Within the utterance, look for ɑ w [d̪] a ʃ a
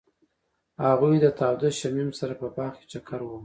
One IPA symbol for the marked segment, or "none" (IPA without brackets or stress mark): d̪